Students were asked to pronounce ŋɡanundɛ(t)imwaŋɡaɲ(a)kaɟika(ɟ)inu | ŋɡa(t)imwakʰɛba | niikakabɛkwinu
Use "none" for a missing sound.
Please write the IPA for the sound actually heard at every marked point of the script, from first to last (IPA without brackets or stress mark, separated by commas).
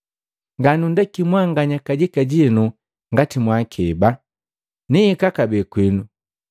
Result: k, a, ɟ, t